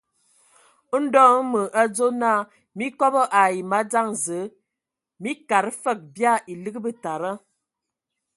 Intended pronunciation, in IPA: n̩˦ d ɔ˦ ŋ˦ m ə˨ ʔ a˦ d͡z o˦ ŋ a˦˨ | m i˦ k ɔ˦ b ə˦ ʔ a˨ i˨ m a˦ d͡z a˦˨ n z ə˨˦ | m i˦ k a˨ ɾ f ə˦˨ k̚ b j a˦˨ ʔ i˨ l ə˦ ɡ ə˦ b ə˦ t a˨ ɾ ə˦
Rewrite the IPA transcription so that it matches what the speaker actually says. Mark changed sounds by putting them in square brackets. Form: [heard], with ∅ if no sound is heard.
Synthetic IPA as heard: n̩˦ d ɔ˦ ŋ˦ m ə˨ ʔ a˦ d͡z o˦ [n] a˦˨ | m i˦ k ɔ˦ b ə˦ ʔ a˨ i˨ m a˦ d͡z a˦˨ [ŋ] z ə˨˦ | m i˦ k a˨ ɾ f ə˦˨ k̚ b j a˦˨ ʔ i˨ l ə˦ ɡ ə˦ b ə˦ t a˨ ɾ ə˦